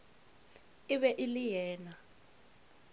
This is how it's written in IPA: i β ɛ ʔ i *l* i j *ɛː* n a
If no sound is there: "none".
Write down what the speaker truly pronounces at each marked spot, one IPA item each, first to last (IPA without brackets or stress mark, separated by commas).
l, ɛː